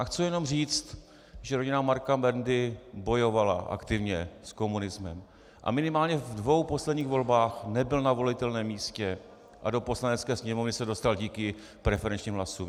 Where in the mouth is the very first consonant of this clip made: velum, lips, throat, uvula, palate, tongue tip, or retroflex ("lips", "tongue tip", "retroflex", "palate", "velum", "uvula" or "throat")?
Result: velum